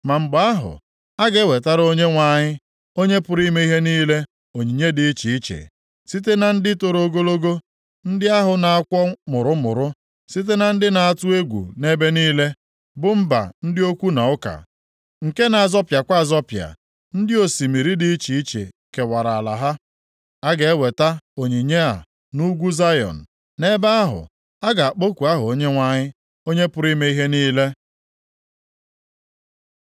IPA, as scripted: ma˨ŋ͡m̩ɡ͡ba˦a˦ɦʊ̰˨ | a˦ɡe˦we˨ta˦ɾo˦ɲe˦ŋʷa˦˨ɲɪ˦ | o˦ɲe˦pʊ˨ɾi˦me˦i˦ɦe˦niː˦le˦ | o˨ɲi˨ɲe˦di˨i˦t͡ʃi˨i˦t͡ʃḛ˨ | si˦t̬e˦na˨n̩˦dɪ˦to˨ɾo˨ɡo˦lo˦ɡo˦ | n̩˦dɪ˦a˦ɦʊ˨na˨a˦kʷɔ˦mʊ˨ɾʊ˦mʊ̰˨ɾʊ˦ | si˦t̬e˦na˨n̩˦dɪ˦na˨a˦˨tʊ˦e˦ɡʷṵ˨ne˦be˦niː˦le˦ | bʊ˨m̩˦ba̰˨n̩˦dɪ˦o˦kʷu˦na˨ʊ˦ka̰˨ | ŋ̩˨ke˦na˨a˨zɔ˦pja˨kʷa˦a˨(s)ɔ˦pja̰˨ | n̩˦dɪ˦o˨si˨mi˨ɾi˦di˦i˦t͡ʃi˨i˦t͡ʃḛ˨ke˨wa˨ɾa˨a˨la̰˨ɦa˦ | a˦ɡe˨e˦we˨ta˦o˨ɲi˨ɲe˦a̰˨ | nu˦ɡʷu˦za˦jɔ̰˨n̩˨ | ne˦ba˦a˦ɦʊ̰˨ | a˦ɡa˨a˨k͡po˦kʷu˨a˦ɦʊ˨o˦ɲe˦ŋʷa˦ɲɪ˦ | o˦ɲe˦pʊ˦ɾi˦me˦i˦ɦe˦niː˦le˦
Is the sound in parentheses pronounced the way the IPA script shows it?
no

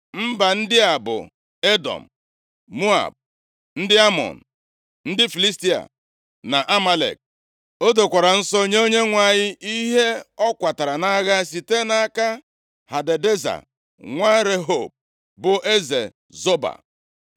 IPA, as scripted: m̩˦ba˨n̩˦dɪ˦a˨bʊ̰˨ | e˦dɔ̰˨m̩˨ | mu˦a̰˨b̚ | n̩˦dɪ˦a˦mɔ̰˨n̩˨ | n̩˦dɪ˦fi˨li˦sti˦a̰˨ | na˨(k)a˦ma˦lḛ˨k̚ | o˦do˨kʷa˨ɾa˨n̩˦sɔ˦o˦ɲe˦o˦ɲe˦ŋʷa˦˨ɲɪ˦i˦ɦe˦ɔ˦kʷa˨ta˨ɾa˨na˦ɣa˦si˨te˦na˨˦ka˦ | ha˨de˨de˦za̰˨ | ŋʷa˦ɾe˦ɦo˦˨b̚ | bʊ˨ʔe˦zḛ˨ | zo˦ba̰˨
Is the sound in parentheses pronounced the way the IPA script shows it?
no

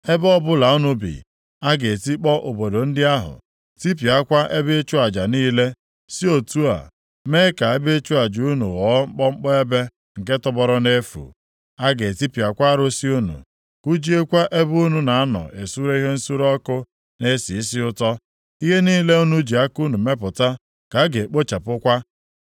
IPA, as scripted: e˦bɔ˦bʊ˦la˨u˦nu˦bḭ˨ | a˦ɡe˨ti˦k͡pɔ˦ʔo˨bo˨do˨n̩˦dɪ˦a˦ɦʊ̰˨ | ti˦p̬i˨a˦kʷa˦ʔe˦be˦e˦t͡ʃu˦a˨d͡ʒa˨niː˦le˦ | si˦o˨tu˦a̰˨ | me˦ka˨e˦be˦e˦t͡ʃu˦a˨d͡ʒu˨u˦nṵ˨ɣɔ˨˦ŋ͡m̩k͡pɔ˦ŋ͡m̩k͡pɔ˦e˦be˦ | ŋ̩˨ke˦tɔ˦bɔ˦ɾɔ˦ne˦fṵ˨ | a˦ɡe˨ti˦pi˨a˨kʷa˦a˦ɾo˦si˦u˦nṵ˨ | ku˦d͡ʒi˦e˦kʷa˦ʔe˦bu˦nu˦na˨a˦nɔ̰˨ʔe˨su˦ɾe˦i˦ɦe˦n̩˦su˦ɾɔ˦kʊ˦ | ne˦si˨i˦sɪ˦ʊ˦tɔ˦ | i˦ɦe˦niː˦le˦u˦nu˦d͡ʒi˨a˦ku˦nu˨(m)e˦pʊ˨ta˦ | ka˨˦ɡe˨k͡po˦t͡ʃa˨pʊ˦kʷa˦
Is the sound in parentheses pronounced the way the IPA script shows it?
yes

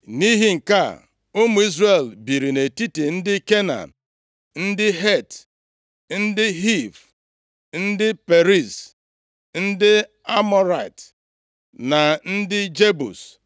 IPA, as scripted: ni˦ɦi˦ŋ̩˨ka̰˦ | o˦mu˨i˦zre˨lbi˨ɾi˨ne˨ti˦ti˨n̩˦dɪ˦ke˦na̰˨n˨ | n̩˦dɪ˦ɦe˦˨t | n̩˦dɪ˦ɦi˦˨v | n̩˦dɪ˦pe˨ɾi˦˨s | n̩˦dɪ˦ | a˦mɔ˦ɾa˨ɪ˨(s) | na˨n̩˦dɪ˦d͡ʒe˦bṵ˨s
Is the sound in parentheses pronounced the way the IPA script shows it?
no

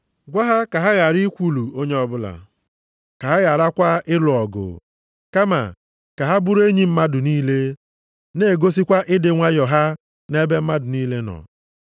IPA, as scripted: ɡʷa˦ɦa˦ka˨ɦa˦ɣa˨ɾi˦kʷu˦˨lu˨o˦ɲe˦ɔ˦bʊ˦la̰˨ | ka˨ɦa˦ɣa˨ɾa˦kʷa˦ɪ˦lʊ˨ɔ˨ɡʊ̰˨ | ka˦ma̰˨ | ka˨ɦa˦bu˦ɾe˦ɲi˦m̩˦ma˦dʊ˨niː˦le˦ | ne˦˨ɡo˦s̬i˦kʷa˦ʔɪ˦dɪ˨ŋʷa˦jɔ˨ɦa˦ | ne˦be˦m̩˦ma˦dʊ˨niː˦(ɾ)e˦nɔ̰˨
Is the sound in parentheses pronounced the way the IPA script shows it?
no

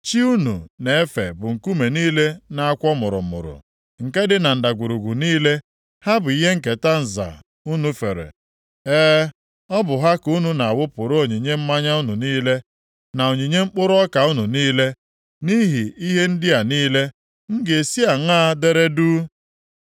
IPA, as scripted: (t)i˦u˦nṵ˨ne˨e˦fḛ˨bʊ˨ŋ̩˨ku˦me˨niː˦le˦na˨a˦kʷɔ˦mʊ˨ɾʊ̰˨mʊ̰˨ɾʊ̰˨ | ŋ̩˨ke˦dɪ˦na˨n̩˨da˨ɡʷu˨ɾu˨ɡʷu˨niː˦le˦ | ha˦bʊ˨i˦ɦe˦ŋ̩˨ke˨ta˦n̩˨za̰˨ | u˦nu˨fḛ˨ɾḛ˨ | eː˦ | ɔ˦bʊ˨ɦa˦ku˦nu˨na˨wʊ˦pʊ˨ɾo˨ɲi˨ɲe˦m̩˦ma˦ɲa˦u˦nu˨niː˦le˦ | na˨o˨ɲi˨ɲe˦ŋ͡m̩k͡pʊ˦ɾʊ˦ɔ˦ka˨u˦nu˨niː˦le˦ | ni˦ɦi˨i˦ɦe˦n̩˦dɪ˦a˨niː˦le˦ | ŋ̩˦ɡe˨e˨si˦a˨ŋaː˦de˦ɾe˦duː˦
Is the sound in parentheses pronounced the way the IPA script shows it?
no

